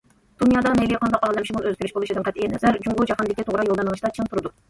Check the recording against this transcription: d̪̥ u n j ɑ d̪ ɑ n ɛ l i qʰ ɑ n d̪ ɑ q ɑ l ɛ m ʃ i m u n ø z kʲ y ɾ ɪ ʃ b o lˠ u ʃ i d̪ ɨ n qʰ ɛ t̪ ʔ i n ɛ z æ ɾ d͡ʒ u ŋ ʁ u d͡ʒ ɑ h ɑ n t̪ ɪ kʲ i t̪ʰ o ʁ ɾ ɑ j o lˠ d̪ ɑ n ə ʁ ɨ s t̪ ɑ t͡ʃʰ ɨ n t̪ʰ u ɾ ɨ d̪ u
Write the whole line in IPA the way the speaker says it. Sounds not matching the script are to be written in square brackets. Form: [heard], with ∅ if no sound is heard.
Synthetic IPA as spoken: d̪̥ u n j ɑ d̪ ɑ n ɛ l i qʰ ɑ n d̪ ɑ q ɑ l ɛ m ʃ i m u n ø z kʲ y ɾ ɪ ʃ b o lˠ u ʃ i d̪ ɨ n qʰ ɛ t̪ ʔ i n ɛ z æ ɾ d͡ʒ u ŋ ʁ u d͡ʒ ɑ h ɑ n [d̪] ɪ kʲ i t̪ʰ o ʁ ɾ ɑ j o lˠ d̪ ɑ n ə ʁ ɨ [ʃ] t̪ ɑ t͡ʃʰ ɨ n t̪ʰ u ɾ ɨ d̪ u